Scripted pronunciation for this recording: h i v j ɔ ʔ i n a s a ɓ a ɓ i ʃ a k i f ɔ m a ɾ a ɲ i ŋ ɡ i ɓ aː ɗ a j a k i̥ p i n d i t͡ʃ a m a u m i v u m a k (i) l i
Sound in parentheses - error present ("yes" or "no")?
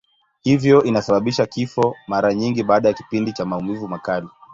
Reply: yes